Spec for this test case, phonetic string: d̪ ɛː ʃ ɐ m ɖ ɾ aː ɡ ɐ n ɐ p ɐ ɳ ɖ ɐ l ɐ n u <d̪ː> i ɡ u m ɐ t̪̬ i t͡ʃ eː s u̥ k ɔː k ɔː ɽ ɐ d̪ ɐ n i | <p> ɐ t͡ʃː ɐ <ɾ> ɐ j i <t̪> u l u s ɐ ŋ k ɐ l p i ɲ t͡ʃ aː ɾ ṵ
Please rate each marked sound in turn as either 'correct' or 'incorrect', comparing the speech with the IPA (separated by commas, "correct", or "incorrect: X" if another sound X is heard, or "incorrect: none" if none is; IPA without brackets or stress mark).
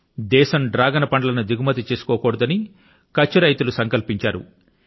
incorrect: d̪, incorrect: k, correct, correct